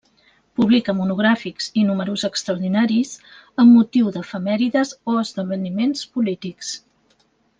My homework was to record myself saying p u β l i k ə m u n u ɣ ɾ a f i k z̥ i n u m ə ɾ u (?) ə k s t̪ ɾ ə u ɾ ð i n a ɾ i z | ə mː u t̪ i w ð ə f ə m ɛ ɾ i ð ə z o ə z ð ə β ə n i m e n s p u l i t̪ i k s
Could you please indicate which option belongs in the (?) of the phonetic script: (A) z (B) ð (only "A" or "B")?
A